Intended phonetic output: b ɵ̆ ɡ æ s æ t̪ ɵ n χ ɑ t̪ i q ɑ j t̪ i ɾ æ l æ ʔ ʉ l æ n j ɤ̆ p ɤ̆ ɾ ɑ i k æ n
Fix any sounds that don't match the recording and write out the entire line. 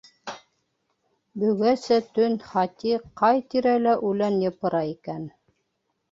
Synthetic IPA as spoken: b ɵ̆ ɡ æ s æ t̪ ɵ n χ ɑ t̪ i q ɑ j t̪ i ɾ æ l æ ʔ ʉ l æ n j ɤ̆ p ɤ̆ ɾ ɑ i k æ n